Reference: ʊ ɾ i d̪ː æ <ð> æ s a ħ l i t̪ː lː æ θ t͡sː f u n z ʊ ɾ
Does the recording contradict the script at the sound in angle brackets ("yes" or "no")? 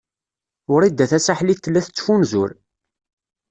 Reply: yes